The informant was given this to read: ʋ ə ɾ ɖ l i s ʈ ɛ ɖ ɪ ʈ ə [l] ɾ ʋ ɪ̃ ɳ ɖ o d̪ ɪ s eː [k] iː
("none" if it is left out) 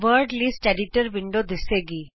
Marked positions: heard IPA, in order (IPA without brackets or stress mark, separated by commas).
none, ɡ